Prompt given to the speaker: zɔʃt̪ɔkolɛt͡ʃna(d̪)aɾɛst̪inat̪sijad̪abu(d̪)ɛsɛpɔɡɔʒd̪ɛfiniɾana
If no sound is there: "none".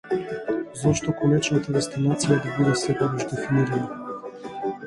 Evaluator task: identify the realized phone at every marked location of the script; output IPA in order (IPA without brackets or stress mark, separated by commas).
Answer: t̪, d̪